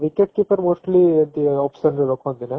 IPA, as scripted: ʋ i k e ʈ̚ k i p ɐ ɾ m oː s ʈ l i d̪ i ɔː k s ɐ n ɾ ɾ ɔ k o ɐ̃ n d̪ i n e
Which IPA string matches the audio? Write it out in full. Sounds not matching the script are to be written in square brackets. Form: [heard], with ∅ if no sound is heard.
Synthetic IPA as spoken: ʋ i k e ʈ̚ k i p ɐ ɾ m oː s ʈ l i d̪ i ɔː [p] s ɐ n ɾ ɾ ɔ k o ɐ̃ n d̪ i n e